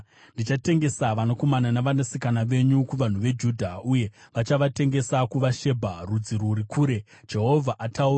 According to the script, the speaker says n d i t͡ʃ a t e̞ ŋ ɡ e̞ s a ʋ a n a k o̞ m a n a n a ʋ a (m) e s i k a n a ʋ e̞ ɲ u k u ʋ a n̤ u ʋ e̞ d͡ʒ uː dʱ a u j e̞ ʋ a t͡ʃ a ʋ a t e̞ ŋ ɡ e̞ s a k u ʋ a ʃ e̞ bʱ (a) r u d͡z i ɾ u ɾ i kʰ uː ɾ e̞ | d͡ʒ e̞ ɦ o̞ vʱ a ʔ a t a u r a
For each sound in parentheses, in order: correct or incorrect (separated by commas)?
incorrect, correct